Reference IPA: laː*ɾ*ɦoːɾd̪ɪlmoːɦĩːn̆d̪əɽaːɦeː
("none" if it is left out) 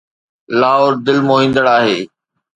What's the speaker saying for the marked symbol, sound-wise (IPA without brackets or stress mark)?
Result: none